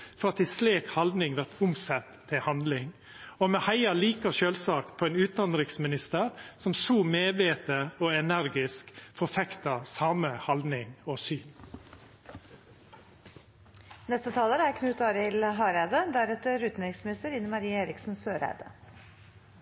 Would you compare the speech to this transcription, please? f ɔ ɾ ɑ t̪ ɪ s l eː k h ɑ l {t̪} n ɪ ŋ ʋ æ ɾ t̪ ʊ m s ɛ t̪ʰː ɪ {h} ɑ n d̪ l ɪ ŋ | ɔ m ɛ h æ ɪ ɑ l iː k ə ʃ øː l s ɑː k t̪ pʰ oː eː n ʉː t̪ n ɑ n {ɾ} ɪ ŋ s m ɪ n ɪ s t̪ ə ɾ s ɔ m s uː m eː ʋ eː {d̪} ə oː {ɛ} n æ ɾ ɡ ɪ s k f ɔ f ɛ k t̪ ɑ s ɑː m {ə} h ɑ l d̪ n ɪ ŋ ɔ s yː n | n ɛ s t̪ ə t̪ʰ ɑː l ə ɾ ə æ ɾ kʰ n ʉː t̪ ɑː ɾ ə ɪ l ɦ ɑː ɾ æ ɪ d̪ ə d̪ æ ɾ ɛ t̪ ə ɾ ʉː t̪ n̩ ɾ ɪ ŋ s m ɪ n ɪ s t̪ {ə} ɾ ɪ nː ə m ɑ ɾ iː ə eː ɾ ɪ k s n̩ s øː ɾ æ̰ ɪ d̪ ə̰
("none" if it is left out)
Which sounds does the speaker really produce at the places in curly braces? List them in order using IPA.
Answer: d̪, h, ɾ, t̪, ɛ, ə, ə

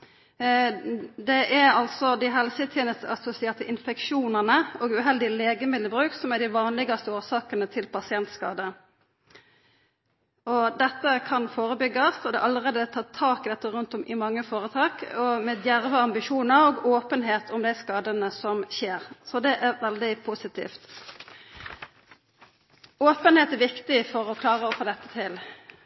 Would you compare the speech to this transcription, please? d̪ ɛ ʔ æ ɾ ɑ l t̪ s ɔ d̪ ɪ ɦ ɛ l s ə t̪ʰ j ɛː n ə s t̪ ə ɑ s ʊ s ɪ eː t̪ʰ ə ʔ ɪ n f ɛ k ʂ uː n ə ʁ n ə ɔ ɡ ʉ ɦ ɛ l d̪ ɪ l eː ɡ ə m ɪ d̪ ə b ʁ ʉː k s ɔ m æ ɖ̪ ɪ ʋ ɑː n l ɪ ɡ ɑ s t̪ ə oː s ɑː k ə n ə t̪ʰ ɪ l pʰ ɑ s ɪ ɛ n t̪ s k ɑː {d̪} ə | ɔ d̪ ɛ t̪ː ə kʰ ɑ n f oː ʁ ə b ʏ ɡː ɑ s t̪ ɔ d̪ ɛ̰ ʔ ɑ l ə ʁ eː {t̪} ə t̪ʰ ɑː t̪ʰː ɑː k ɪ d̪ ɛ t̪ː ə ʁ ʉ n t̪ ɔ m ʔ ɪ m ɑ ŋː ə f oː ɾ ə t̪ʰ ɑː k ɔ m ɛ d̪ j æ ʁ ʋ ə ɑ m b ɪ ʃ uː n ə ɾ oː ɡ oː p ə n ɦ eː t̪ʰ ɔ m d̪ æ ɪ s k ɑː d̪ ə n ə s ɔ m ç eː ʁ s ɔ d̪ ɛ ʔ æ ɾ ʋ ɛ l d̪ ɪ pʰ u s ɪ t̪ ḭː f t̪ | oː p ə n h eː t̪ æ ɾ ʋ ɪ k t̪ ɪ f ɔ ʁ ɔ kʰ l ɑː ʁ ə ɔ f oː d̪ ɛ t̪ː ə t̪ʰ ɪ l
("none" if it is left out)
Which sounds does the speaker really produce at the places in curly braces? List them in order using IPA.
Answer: d̪, d̪

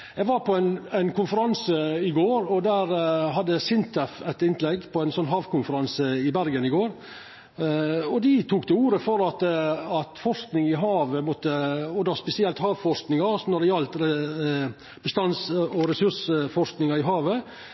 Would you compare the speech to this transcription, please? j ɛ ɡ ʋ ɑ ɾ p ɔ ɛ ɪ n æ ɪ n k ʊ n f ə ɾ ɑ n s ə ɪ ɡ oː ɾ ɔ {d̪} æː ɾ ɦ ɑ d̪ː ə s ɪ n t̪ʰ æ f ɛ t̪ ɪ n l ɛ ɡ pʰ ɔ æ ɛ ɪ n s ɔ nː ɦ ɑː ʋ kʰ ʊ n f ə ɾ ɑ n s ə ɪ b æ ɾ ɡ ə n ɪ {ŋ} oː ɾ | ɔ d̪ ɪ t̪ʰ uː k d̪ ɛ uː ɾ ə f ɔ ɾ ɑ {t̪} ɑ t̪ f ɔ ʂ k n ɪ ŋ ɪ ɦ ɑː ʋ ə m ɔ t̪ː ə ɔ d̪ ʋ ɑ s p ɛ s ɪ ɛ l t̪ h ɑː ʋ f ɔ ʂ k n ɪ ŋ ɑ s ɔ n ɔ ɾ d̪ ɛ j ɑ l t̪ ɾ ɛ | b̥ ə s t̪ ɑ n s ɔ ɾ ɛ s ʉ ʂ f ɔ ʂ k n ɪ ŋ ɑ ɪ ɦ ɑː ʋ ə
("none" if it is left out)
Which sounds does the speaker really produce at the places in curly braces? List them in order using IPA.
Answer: d̪, ɡ, t̪

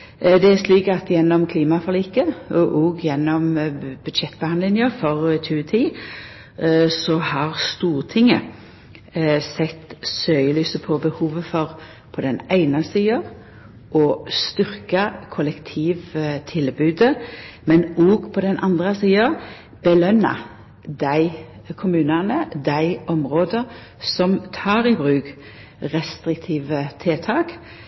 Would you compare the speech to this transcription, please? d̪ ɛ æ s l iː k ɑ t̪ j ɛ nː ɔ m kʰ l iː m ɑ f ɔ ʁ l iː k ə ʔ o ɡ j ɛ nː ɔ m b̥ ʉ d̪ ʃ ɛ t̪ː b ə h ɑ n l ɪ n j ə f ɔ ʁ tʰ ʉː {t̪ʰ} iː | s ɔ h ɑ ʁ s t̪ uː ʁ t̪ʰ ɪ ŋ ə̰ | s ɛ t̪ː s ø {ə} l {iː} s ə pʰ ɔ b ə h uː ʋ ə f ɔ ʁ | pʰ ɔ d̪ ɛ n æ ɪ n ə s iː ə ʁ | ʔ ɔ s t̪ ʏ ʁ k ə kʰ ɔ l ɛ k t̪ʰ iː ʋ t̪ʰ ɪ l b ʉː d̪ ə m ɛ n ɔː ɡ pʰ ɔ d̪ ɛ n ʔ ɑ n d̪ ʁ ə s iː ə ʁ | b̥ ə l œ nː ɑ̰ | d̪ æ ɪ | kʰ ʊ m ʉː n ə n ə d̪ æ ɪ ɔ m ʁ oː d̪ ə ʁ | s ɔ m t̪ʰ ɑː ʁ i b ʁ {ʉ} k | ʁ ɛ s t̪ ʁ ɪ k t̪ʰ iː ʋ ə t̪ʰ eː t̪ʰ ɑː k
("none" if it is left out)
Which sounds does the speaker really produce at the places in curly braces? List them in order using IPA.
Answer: t̪ʰ, ə, yː, ʉː

